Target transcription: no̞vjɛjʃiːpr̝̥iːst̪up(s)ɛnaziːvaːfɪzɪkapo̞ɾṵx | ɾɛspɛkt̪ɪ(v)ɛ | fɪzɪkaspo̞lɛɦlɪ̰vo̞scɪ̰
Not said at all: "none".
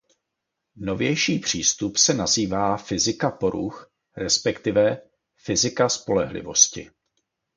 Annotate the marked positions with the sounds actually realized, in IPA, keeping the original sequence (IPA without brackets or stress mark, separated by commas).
s, v